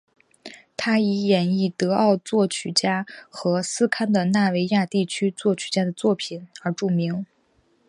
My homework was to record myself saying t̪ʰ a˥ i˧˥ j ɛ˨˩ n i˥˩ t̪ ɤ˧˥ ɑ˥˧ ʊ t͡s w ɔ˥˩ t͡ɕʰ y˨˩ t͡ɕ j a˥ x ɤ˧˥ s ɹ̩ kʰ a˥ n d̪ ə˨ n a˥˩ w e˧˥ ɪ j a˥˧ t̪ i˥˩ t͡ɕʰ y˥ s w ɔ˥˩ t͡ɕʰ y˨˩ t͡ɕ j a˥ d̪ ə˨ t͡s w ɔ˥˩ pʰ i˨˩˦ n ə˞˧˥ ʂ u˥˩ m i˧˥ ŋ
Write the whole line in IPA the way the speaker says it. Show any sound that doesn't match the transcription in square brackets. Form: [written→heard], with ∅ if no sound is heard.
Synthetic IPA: t̪ʰ a˥ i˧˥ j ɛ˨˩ n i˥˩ t̪ ɤ˧˥ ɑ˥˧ ʊ t͡s w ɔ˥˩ t͡ɕʰ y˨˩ t͡ɕ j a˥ x ɤ˧˥ s ɹ̩ kʰ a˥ n d̪ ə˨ n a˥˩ w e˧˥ ɪ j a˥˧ t̪ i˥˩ t͡ɕʰ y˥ [s→t͡s] w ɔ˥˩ t͡ɕʰ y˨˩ t͡ɕ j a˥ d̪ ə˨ t͡s w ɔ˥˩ pʰ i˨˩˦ n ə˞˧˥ [ʂ→ʈ͡ʂ] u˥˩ m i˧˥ ŋ